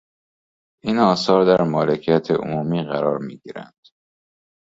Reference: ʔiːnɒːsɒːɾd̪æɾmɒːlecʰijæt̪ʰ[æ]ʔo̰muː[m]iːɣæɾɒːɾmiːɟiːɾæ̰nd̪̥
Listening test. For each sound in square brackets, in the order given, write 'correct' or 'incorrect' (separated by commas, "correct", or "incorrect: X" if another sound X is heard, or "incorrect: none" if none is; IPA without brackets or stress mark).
incorrect: e, correct